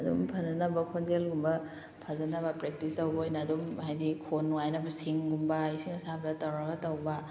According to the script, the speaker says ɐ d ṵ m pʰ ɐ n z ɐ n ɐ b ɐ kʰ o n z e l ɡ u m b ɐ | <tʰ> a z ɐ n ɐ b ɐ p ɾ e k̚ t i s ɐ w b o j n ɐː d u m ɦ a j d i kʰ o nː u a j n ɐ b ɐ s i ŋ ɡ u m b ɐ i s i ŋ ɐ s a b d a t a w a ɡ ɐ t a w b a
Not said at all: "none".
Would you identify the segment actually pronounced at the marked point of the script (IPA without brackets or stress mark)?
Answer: pʰ